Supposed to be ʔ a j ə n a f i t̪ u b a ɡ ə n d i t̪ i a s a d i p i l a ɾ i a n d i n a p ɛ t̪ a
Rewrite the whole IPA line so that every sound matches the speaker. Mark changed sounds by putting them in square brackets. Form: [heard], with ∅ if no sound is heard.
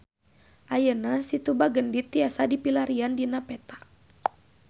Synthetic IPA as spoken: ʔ a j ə n a [s] i t̪ u b a ɡ ə n d i t̪ i a s a d i p i l a ɾ i a n d i n a p ɛ t̪ a